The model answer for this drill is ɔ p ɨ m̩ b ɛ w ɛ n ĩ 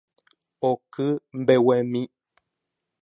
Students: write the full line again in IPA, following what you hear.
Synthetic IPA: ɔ k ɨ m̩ b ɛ w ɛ m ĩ